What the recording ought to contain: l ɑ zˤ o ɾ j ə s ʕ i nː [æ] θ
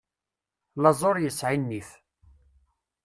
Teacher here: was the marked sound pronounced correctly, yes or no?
no